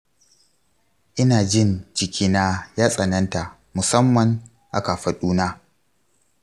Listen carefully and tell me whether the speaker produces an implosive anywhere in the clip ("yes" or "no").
yes